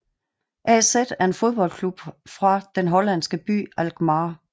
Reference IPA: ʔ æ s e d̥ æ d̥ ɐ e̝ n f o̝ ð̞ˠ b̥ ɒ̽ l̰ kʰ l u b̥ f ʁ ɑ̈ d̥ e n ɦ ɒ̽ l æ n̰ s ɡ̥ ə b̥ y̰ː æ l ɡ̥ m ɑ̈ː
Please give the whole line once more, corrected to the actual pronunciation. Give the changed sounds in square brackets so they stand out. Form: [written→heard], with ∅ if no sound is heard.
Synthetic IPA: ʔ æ s e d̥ æ [d̥→∅] ɐ e̝ n f o̝ ð̞ˠ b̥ ɒ̽ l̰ kʰ l u b̥ f ʁ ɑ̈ d̥ e n ɦ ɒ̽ l æ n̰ s ɡ̥ ə b̥ y̰ː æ l ɡ̥ m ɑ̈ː